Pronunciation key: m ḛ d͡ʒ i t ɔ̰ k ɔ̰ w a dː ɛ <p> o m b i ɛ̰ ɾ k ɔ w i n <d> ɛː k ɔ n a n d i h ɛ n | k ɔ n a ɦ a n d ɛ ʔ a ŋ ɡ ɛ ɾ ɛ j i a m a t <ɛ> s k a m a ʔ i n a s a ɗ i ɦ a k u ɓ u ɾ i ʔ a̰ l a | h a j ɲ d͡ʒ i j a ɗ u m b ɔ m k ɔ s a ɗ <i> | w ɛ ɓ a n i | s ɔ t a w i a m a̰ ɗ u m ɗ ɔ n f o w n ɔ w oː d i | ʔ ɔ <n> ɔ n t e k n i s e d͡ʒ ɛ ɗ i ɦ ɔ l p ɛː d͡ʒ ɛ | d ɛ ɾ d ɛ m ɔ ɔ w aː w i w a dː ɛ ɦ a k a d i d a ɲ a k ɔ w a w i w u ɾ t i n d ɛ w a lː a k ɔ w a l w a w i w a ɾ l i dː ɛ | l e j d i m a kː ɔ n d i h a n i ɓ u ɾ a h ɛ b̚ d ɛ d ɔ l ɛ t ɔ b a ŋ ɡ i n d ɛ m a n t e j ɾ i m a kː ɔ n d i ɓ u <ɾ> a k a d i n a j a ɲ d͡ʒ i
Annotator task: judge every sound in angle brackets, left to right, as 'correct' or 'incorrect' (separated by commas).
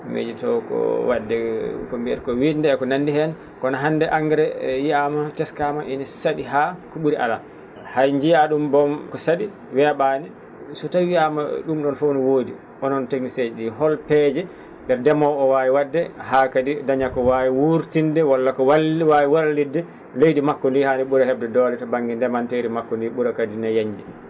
incorrect, correct, correct, correct, correct, correct